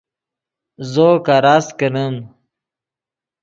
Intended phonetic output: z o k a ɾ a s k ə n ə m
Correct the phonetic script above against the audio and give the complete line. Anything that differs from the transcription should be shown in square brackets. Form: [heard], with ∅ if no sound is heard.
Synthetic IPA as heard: z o k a ɾ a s k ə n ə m

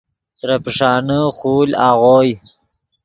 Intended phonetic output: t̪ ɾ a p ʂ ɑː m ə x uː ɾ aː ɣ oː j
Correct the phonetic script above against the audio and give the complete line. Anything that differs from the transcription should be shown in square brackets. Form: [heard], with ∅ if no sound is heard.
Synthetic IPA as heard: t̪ ɾ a p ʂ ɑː [n] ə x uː [l] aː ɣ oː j

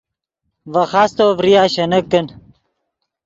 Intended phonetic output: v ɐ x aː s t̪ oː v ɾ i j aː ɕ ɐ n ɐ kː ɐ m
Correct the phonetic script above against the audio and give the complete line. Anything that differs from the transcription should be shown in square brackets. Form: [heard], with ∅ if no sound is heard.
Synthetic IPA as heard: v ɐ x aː s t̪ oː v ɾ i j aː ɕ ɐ n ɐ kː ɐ [n]

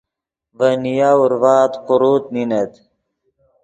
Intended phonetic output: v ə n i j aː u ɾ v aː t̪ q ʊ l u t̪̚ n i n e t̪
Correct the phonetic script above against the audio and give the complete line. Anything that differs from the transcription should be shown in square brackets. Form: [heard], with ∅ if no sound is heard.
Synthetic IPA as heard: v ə n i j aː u ɾ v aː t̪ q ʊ [ɾ] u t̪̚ n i n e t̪

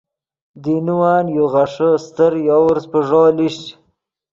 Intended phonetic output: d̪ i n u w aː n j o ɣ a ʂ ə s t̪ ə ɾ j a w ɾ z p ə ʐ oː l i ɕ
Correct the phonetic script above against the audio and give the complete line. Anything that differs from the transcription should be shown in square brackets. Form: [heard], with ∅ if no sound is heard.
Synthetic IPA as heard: d̪ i n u w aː n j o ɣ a ʂ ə s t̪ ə ɾ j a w ɾ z p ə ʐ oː l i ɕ

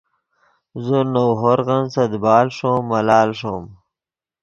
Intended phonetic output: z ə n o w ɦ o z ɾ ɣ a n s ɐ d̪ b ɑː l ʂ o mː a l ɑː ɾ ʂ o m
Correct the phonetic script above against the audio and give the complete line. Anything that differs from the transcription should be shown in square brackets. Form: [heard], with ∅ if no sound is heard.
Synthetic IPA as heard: z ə n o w ɦ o [∅] ɾ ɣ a n s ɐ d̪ b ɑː l ʂ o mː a l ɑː [l] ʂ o m

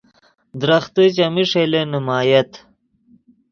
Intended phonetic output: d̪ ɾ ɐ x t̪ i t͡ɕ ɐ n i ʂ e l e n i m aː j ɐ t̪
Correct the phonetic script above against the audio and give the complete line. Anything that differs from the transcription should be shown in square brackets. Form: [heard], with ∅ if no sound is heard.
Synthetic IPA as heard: d̪ ɾ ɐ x t̪ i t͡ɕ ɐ [m] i ʂ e l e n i m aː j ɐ t̪

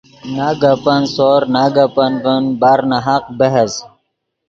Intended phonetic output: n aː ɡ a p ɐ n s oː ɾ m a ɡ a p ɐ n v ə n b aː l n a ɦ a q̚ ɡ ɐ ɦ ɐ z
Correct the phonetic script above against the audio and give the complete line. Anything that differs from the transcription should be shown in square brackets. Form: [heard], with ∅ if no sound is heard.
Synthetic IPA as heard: n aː ɡ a p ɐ n s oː ɾ [n] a ɡ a p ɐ n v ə n b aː [ɾ] n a ɦ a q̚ [b] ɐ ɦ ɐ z

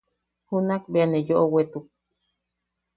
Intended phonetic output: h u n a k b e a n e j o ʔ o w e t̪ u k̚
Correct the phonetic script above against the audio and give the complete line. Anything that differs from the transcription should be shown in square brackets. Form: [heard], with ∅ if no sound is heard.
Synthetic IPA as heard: h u n a k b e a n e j o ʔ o w e t̪ u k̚

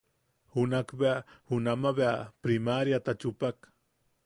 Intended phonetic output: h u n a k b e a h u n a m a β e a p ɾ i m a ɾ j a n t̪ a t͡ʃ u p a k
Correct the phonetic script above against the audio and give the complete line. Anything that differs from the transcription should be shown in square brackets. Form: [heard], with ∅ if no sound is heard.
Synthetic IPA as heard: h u n a k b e a h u n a m a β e a p ɾ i m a ɾ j a [∅] t̪ a t͡ʃ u p a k

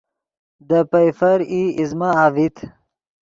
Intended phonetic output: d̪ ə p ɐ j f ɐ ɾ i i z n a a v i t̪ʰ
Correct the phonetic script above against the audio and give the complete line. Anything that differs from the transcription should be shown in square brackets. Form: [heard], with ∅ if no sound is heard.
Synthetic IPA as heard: d̪ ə p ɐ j f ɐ ɾ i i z [m] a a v i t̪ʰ

